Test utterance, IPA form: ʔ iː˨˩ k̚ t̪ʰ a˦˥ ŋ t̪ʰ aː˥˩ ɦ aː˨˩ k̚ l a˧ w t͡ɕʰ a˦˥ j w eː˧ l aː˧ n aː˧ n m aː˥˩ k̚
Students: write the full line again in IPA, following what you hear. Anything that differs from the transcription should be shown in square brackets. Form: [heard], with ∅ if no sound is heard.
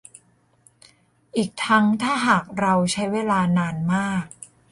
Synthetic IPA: ʔ iː˨˩ k̚ t̪ʰ a˦˥ ŋ t̪ʰ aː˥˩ ɦ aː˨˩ k̚ [ɾ] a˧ w t͡ɕʰ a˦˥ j w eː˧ l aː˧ n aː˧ n m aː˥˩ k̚